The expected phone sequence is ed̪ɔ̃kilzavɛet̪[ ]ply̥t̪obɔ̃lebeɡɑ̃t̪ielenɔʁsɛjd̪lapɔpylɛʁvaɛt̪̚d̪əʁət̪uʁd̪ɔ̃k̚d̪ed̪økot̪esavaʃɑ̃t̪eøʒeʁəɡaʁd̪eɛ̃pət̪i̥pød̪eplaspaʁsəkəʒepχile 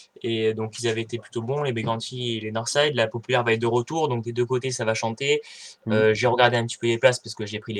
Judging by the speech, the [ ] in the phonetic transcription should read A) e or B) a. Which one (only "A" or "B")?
A